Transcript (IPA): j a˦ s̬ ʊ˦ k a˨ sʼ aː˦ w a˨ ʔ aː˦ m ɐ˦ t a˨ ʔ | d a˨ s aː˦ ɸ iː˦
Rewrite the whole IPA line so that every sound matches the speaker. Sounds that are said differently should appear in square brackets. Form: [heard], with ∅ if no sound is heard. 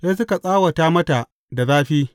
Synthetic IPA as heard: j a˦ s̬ ʊ˦ k a˨ sʼ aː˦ w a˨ [t] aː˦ m ɐ˦ t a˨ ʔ | d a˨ [z] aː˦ ɸ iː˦